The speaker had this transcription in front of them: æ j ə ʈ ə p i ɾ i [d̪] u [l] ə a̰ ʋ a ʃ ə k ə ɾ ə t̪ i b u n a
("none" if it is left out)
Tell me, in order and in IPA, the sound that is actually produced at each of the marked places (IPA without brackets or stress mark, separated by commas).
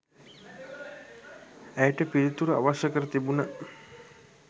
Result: t̪, ɾ